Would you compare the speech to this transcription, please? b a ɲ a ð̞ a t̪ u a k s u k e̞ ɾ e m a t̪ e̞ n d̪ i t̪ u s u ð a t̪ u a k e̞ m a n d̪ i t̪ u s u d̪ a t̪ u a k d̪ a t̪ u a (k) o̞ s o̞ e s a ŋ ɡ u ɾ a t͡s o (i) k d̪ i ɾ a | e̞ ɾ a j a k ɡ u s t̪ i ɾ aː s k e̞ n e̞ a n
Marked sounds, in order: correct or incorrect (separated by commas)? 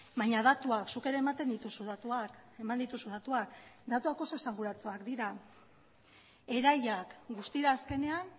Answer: correct, incorrect